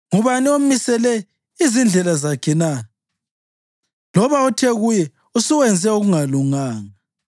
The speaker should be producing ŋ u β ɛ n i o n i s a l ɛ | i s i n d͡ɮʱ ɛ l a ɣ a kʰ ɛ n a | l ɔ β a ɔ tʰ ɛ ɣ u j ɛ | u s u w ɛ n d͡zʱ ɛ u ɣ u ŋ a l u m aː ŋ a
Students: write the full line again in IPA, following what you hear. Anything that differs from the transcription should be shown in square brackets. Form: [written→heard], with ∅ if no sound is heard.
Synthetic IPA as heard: ŋ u β [ɛ→a] n i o [n→m] i s [a→ɛ] l ɛ | i [s→z] i n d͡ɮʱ ɛ l a [ɣ→z] a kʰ ɛ n a | l ɔ β a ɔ tʰ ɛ ɣ u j ɛ | u s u w ɛ n d͡zʱ ɛ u ɣ u ŋ a l u [m→ŋ] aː ŋ a